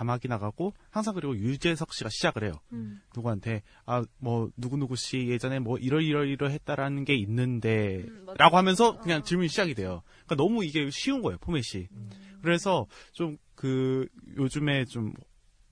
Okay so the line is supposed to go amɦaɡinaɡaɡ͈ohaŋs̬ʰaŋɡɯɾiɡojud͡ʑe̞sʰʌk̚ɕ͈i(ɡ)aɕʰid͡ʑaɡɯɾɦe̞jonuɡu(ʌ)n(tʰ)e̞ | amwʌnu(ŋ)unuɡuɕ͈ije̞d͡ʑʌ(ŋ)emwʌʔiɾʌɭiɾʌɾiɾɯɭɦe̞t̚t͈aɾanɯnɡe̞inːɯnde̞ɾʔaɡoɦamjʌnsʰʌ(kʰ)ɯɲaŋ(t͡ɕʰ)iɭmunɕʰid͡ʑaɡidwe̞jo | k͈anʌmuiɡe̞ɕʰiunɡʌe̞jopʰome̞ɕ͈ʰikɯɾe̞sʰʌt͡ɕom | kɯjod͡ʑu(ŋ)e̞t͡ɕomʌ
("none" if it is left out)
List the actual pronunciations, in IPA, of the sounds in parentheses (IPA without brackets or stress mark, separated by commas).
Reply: ɡ, a, tʰ, ɡ, n, k, t͡ɕ, m